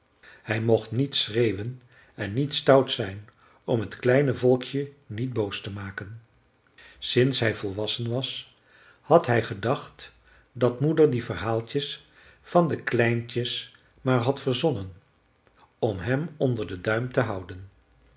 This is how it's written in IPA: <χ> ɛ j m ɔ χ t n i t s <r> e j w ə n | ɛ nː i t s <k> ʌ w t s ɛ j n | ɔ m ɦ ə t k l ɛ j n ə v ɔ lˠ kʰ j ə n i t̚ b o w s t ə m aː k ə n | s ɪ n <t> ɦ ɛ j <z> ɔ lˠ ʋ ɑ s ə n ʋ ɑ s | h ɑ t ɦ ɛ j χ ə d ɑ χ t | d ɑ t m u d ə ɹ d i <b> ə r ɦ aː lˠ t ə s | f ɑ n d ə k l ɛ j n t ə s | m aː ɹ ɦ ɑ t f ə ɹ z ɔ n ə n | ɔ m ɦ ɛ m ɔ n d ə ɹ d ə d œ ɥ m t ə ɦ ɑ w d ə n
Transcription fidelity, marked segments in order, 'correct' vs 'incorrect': incorrect, correct, incorrect, incorrect, incorrect, incorrect

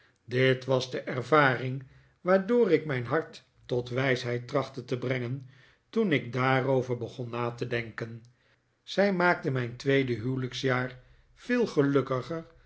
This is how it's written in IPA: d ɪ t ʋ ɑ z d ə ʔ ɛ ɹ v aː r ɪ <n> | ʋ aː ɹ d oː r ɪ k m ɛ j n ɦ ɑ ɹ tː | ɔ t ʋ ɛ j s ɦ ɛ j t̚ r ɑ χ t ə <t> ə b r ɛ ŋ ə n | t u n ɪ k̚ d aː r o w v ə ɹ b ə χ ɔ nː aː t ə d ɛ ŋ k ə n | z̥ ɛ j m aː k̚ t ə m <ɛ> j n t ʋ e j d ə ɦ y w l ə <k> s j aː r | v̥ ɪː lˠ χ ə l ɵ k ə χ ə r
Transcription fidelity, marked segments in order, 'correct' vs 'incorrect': incorrect, correct, correct, correct

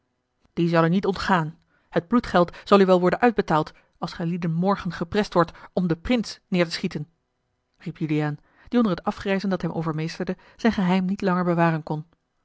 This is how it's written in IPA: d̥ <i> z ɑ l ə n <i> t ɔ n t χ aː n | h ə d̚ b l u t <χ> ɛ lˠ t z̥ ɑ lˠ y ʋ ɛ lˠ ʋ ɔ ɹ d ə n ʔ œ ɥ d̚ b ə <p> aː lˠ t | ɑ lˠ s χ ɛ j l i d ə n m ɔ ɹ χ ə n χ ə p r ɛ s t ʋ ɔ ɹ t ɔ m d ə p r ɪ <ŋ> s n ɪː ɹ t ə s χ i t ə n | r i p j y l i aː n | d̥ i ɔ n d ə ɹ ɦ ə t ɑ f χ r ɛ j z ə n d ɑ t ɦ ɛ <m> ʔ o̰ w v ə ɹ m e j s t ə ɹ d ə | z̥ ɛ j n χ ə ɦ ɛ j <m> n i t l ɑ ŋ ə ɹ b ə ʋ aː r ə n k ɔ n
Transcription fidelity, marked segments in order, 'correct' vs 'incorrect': correct, correct, correct, incorrect, incorrect, correct, correct

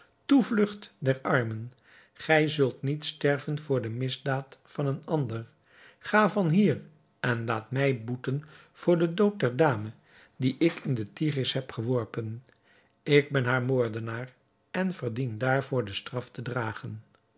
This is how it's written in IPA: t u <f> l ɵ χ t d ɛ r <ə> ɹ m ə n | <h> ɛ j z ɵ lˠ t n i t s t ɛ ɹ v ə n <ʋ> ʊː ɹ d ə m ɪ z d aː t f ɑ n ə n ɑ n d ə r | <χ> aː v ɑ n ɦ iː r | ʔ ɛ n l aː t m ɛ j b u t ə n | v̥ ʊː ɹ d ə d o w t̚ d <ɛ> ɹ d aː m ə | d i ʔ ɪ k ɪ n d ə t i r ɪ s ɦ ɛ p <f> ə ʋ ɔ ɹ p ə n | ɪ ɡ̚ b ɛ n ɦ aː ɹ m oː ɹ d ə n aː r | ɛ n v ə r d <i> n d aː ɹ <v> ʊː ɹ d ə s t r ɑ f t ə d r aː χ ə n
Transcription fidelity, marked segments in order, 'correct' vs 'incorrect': incorrect, incorrect, incorrect, incorrect, correct, correct, incorrect, correct, correct

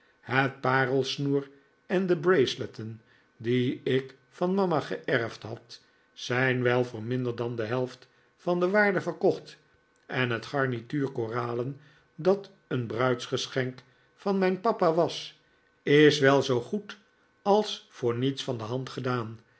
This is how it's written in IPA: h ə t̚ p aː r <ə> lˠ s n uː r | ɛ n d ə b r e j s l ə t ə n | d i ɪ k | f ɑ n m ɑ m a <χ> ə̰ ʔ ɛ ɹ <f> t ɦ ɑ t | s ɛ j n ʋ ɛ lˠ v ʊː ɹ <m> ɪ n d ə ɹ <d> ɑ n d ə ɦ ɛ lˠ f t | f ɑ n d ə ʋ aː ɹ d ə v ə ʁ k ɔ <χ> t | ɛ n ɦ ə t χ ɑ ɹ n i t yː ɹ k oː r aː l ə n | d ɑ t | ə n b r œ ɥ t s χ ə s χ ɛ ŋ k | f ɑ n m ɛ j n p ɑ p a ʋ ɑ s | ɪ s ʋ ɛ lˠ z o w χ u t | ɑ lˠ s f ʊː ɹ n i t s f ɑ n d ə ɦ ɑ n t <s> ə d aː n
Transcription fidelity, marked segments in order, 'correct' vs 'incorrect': correct, correct, correct, correct, correct, correct, incorrect

